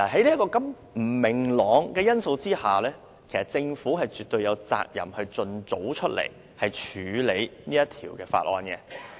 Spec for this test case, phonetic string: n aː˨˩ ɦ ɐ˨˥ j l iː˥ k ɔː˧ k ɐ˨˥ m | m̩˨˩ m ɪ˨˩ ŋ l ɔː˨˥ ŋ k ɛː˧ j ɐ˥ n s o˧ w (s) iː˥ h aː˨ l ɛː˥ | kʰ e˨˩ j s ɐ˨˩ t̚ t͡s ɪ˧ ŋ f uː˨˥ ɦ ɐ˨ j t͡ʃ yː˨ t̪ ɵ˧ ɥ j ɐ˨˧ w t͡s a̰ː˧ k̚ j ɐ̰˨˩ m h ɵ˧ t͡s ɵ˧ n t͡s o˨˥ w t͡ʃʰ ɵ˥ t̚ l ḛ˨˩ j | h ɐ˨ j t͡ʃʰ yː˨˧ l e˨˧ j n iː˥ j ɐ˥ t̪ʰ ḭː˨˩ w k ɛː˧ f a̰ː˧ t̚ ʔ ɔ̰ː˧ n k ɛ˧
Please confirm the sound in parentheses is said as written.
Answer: no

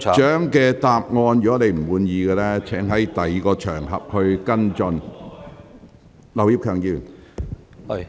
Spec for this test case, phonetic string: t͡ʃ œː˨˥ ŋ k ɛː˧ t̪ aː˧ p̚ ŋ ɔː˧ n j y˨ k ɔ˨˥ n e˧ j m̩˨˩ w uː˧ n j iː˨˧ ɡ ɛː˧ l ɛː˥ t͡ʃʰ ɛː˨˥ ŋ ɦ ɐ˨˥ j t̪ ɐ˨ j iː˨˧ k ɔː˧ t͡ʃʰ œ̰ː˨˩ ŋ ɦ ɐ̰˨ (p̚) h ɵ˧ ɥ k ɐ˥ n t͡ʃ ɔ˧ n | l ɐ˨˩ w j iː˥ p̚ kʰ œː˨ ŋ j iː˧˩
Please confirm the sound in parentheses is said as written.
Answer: yes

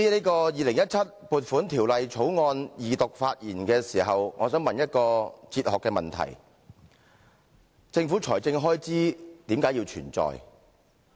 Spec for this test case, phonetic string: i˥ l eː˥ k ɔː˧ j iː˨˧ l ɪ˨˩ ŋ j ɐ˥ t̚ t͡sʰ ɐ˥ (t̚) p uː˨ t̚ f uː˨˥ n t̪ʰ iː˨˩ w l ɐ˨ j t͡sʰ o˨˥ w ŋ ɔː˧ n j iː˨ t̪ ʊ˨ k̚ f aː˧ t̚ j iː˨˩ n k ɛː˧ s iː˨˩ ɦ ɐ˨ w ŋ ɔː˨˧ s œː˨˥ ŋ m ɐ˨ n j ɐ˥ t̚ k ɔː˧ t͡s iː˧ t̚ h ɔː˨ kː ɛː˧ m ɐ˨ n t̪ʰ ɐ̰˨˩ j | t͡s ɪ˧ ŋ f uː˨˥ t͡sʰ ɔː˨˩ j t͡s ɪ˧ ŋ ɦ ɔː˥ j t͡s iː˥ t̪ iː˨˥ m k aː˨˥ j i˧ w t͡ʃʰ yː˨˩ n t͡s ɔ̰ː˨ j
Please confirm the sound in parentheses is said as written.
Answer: yes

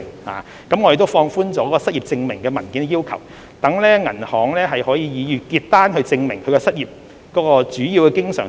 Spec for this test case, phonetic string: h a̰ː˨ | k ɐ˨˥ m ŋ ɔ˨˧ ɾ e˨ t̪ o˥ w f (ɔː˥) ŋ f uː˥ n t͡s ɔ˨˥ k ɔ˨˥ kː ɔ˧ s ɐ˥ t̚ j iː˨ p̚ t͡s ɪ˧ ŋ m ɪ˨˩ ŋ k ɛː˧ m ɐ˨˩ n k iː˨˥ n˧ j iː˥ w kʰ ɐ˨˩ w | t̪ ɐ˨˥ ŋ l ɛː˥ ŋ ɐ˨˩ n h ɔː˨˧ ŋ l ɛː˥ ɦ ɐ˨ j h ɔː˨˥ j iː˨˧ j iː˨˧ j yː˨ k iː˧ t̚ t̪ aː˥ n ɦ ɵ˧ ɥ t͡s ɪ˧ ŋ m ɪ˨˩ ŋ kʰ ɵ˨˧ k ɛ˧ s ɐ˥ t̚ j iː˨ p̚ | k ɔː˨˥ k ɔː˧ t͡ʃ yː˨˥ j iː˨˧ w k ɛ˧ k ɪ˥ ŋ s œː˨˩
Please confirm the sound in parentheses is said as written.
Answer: no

